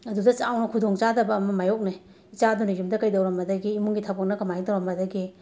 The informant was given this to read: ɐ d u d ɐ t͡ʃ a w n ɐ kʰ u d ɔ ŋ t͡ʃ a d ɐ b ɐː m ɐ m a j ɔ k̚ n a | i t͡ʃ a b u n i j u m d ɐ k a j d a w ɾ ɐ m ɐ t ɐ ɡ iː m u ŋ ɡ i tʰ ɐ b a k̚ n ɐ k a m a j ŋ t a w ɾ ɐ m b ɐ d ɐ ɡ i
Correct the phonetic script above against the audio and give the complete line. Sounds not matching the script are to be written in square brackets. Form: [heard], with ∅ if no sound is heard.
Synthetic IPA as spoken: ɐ d u d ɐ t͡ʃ a w n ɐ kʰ u d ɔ ŋ t͡ʃ a d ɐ b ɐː m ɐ m a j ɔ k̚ n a | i t͡ʃ a [d] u n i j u m d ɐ k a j d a w ɾ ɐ m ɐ [d] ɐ ɡ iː m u ŋ ɡ i tʰ [a] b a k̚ n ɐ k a m a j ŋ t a w ɾ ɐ m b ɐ d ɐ ɡ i